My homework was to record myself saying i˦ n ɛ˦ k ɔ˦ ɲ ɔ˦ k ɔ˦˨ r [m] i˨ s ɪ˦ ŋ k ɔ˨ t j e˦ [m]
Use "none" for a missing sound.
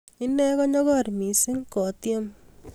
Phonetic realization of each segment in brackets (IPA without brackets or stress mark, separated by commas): m, m